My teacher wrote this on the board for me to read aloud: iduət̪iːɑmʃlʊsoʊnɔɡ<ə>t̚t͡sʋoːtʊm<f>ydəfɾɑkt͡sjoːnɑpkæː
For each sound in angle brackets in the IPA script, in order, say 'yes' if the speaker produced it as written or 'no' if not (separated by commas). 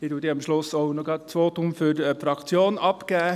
no, yes